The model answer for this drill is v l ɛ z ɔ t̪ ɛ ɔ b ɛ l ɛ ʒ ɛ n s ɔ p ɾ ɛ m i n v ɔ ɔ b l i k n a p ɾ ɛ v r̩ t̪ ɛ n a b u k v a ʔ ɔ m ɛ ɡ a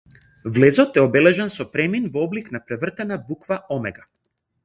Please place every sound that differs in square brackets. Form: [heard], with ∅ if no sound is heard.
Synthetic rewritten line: v l ɛ z ɔ t̪ ɛ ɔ b ɛ l ɛ ʒ ɛ n s ɔ p ɾ ɛ m i n v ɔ ɔ b l i k n a p ɾ ɛ v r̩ t̪ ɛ n a b u k v a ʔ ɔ m ɛ ɡ a